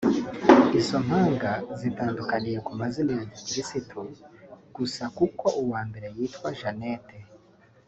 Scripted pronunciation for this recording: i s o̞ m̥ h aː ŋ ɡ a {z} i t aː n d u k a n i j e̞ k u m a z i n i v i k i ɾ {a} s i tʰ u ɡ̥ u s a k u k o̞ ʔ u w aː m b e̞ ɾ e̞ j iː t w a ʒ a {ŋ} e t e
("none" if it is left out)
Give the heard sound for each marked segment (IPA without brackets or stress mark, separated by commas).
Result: z, i, n